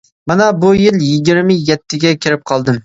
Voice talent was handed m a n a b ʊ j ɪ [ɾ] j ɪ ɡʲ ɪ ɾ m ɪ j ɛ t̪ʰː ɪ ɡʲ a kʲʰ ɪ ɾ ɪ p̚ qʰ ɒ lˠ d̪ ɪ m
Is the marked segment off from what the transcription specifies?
yes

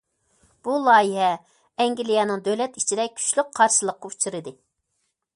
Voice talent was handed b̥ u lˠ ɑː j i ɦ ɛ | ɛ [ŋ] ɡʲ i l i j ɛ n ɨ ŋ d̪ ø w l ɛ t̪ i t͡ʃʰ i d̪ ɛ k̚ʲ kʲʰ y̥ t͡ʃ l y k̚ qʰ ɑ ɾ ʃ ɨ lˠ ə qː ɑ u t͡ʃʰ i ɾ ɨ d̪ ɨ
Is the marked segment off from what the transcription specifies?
no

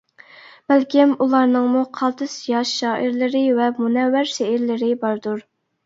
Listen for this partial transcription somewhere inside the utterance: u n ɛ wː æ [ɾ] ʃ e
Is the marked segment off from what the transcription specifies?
no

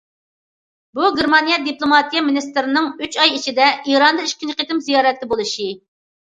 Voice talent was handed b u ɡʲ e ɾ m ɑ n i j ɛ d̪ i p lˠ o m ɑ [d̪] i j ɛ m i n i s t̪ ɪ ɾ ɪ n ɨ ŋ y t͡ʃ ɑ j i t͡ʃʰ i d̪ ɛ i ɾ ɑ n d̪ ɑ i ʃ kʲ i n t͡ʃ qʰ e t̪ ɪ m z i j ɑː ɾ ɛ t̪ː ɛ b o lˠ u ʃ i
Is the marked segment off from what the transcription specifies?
yes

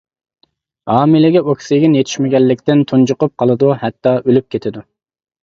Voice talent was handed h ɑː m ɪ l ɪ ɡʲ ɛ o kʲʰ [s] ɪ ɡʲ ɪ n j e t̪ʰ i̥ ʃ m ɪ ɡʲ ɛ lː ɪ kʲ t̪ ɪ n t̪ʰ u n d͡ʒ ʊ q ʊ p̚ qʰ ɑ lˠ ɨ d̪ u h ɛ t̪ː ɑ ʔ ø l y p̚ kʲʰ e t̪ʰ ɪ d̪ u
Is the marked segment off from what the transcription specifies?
no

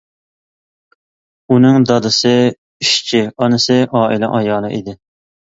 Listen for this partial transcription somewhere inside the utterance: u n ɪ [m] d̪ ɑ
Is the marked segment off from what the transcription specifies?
yes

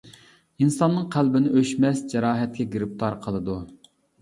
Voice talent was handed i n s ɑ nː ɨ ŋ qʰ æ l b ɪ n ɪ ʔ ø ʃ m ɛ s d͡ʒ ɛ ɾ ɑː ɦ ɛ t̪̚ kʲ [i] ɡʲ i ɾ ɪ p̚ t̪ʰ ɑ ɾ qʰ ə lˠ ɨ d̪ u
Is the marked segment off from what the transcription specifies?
yes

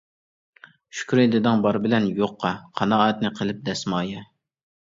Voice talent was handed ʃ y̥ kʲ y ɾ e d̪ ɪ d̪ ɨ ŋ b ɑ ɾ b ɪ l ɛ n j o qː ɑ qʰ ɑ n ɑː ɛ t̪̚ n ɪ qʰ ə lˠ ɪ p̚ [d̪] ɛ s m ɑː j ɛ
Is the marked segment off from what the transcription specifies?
no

